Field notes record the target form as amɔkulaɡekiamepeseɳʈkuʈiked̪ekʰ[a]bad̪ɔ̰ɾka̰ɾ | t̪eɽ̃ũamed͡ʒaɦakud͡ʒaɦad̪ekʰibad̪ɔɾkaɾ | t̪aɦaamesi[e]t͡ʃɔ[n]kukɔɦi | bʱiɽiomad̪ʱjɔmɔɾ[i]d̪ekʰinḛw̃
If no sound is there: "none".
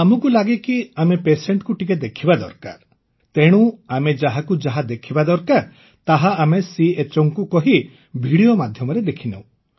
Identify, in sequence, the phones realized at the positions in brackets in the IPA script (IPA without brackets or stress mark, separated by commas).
i, e, ŋ, e